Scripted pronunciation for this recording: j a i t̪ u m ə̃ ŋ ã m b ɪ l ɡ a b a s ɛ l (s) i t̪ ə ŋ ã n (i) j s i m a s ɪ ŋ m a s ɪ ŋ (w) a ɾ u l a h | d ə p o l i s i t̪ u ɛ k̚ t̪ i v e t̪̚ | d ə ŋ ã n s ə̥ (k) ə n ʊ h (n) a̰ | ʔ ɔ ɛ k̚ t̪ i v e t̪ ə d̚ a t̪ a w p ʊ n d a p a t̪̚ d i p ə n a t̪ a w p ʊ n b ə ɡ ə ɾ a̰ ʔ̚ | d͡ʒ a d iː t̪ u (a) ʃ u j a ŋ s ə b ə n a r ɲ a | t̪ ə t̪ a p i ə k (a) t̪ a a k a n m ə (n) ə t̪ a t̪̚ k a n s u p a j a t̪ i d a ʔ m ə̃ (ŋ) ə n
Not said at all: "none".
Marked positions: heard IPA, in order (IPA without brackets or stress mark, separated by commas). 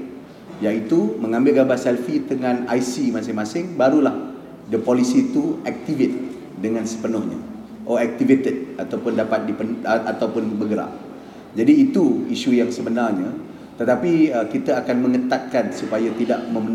f, a, b, p, ɲ, i, i, ŋ, m